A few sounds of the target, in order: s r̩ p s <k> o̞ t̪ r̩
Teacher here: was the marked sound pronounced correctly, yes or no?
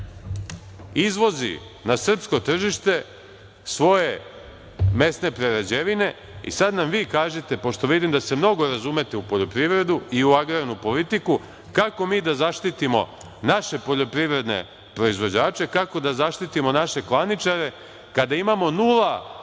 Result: yes